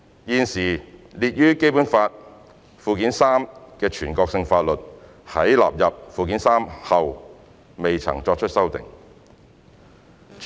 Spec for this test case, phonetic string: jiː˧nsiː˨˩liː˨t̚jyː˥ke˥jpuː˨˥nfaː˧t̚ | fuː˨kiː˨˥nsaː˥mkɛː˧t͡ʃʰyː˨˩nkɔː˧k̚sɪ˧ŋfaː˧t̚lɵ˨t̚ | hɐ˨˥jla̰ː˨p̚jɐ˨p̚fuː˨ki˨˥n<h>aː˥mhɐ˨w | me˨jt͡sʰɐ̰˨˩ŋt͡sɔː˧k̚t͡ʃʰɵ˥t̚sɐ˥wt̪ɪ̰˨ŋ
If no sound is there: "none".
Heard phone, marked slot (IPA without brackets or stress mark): s